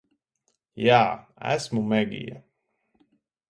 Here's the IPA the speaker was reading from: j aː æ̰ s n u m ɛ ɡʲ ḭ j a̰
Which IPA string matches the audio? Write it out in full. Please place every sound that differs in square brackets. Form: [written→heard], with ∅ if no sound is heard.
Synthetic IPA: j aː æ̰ s [n→m] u m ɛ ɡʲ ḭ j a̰